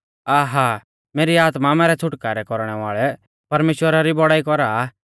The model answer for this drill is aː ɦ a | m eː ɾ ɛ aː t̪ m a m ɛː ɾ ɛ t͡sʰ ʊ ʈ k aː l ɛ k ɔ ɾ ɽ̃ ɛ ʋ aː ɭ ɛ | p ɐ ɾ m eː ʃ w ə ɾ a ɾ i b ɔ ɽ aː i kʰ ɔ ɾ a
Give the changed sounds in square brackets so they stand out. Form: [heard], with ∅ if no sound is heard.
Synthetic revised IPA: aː ɦ a | m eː ɾ [i] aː t̪ m a m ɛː ɾ ɛ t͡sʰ ʊ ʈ k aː [ɾ] ɛ k ɔ ɾ ɽ̃ ɛ ʋ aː ɭ ɛ | p ɐ ɾ m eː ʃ w ə ɾ a ɾ i b ɔ ɽ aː i [k] ɔ ɾ a